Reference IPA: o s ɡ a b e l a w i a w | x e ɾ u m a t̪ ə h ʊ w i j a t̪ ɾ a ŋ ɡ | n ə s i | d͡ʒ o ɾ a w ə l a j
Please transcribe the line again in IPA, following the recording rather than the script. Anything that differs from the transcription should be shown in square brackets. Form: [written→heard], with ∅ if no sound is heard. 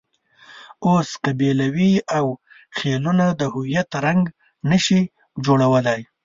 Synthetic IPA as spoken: o s [ɡ→k] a b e l a w i a w | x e [ɾ→l] u [m→n] a [t̪→d̪] ə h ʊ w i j a t̪ ɾ a ŋ ɡ | n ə [s→ʃ] i | d͡ʒ o [ɾ→ɽ] a w ə l a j